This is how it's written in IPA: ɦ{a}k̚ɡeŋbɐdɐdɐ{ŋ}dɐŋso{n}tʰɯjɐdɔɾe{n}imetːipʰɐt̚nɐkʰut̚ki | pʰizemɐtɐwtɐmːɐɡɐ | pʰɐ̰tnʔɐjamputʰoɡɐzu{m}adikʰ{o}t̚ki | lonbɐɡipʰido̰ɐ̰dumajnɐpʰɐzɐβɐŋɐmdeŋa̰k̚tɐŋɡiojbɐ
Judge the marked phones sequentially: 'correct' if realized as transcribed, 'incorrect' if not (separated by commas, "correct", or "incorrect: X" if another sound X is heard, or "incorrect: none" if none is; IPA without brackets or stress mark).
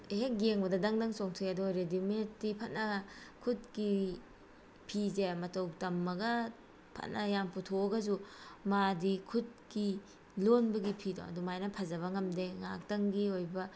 incorrect: e, correct, incorrect: ŋ, incorrect: d, correct, incorrect: u